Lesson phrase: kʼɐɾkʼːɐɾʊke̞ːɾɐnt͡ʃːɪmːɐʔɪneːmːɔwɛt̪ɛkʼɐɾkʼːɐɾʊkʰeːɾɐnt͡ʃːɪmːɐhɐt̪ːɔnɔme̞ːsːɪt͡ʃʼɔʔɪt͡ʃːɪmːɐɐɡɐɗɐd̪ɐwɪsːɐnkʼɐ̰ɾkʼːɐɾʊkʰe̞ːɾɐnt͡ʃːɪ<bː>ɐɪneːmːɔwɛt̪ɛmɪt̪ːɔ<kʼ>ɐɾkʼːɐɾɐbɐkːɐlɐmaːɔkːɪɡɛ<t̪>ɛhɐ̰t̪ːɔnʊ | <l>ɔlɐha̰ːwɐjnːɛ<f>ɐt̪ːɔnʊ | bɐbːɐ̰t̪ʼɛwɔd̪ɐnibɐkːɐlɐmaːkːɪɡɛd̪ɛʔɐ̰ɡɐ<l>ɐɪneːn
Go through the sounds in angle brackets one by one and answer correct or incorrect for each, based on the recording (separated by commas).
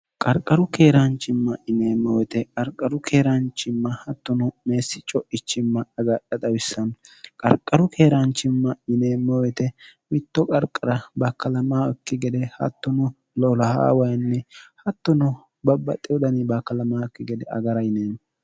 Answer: incorrect, correct, incorrect, correct, incorrect, incorrect